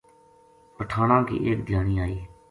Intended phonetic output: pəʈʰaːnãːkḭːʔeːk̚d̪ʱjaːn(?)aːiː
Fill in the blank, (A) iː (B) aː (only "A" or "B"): A